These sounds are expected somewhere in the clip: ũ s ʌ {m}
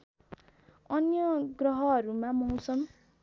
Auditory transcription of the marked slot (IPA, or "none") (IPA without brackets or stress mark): m